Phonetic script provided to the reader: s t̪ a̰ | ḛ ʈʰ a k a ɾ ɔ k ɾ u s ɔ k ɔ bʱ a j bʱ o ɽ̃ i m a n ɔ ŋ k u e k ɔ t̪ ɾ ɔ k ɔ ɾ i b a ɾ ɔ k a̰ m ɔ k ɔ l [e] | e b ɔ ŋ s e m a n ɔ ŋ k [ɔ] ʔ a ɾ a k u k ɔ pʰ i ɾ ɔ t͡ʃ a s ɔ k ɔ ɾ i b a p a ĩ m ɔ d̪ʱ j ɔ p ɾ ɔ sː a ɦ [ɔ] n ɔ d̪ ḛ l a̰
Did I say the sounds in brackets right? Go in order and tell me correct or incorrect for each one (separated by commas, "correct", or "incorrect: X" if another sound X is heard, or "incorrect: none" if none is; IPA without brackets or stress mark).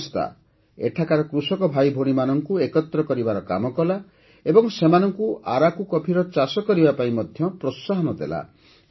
incorrect: a, incorrect: u, correct